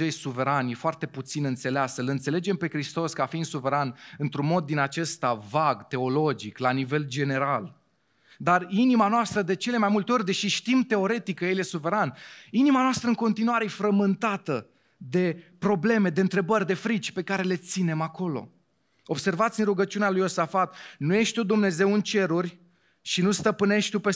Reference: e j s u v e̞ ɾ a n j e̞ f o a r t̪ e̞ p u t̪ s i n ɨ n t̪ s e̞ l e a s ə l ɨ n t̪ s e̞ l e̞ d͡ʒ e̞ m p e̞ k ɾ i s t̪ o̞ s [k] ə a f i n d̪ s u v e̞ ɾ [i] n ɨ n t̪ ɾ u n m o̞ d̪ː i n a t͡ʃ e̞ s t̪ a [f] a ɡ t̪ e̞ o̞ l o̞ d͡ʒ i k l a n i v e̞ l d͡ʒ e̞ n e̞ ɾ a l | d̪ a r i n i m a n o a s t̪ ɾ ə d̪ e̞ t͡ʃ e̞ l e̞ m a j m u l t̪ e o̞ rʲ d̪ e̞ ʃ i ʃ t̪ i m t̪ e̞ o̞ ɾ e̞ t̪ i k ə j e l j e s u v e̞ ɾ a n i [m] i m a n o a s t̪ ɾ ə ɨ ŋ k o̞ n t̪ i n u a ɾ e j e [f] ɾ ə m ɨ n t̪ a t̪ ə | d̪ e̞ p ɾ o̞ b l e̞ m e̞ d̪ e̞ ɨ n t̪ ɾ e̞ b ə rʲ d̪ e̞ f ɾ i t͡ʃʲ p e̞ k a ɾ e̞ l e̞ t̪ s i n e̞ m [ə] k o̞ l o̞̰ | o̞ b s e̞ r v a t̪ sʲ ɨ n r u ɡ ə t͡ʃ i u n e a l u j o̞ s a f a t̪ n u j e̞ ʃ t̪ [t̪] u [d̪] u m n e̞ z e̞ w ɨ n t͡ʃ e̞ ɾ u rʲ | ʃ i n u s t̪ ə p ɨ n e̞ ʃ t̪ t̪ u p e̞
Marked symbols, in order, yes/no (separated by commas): yes, no, no, no, yes, no, yes, yes